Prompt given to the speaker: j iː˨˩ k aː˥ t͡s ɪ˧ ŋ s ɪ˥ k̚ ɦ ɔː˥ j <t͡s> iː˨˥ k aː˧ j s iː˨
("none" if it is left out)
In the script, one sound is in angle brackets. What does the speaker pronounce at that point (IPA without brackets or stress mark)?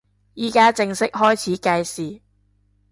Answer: t͡sʰ